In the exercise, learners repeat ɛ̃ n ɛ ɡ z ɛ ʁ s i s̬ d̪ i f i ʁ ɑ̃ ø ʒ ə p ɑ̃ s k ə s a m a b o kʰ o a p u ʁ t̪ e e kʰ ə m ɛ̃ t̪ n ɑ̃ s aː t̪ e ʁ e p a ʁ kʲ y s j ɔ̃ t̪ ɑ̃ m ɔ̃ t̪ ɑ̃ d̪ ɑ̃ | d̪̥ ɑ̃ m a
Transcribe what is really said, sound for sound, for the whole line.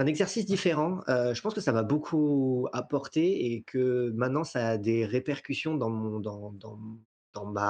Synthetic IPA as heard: ɛ̃ n ɛ ɡ z ɛ ʁ s i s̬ d̪ i f e ʁ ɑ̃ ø ʒ ə p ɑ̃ s k ə s a m a b o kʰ u a p ɔ ʁ t̪ e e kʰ ə m ɛ̃ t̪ n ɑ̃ s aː d̪ e ʁ e p ɛ ʁ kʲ y s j ɔ̃ d̪ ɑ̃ m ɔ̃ d̪ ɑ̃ d̪ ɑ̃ | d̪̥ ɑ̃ m a